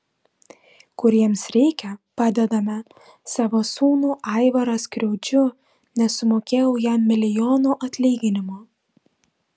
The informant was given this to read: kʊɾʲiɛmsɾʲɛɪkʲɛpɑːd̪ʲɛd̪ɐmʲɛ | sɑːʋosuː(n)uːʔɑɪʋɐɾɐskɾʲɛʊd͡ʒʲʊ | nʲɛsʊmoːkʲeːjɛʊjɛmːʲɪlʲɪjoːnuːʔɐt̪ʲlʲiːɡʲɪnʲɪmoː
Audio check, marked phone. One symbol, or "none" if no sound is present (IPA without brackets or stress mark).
n